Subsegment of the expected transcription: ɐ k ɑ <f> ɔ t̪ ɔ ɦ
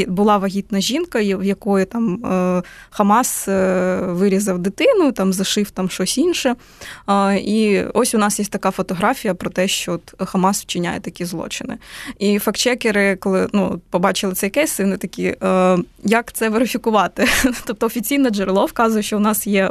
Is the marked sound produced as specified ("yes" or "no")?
yes